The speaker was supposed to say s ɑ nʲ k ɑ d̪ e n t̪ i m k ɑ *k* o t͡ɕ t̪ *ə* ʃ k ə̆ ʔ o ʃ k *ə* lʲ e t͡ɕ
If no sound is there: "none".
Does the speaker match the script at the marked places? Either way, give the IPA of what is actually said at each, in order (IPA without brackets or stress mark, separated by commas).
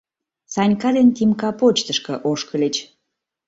p, ə, ə